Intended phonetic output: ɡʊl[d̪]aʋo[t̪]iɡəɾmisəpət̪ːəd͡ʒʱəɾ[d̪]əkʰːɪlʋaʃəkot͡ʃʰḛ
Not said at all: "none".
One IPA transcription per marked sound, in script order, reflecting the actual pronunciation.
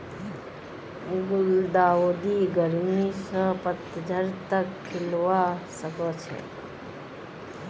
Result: d̪, d̪, t̪

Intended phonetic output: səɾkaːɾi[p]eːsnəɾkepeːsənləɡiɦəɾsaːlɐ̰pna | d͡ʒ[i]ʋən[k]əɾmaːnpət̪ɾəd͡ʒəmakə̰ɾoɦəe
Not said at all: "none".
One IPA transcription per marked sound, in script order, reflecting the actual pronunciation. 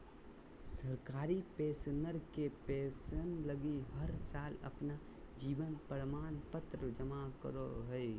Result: p, iː, p

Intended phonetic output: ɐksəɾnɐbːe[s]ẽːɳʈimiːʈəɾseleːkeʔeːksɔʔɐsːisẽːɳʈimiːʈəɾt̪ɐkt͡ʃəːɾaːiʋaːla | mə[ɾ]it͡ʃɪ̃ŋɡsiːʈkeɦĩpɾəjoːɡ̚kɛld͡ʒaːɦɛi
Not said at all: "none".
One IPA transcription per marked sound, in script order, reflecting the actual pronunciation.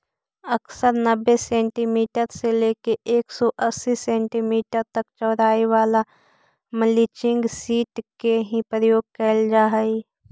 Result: s, l

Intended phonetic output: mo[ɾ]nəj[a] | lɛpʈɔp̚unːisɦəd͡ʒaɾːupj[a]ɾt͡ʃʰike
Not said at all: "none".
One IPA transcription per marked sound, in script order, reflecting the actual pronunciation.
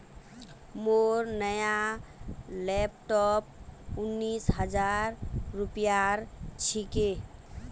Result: ɾ, a, a

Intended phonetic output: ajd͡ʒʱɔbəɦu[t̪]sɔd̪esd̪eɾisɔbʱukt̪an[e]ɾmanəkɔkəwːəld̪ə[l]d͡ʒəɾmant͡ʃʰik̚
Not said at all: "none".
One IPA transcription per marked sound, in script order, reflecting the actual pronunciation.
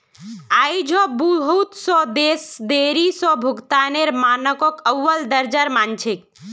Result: t̪, e, ɾ

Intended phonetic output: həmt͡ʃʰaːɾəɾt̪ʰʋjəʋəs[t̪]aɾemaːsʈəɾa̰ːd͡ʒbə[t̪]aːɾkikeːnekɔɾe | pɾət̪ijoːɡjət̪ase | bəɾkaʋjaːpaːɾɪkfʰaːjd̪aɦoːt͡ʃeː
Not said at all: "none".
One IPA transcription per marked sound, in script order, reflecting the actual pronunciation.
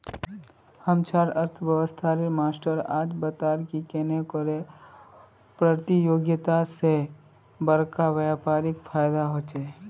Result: t̪ʰ, t̪

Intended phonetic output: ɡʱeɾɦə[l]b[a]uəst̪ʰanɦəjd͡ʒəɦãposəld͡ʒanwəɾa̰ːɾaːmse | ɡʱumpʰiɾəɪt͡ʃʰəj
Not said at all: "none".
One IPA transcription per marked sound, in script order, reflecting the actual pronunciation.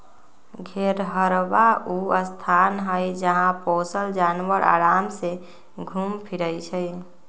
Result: ɾ, a

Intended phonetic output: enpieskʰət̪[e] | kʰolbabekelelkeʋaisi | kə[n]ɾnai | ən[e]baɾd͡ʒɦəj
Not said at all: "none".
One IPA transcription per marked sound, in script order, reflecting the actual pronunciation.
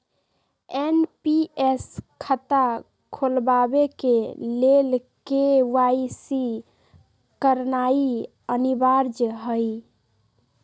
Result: a, none, i

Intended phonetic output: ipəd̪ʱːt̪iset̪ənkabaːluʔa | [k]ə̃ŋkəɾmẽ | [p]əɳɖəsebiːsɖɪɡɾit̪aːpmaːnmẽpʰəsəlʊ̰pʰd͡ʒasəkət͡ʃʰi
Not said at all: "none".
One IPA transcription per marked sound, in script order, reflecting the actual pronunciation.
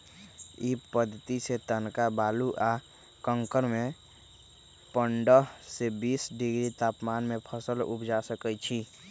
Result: k, p

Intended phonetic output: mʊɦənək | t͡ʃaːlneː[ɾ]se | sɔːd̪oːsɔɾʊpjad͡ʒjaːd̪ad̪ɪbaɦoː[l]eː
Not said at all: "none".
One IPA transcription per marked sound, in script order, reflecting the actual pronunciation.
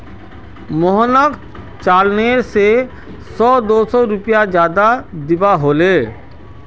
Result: ɾ, l

